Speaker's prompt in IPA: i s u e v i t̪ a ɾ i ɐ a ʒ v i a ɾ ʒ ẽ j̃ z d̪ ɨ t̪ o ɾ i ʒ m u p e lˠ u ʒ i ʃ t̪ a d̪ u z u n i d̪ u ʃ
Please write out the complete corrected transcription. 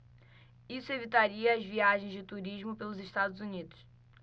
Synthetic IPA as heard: i s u e v i t̪ a ɾ i ɐ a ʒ v i a ʒ ẽ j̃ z d̪ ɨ t̪ u ɾ i ʒ m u p e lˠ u z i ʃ t̪ a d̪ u z u n i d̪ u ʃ